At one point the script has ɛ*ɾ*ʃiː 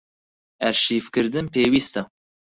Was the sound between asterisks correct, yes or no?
yes